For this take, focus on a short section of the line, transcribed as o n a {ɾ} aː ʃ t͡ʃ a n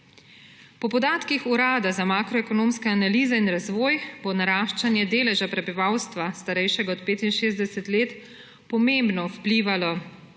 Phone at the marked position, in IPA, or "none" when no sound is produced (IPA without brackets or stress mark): ɾ